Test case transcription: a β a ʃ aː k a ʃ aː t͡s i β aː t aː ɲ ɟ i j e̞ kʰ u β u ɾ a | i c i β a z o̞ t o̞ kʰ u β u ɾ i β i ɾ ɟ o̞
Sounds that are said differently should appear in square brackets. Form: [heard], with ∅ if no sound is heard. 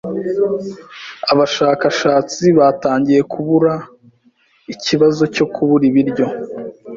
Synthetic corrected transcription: a β a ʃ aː k a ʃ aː t͡s i β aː t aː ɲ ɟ i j e̞ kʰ u β u ɾ a | i c i β a z o̞ [c] o̞ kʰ u β u ɾ i β i ɾ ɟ o̞